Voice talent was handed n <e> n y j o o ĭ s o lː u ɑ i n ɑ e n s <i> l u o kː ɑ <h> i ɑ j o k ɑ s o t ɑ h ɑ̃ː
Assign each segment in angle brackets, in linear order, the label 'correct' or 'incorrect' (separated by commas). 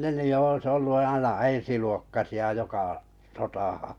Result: correct, correct, incorrect